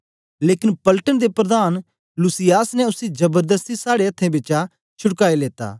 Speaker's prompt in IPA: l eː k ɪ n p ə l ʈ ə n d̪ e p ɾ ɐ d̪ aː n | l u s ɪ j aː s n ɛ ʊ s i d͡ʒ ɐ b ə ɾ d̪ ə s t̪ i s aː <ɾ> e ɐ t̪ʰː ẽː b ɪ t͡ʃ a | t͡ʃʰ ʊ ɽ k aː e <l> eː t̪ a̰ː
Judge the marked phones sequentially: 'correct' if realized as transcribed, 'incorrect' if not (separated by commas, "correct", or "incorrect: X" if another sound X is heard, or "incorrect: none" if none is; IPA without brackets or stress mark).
incorrect: ɽ, correct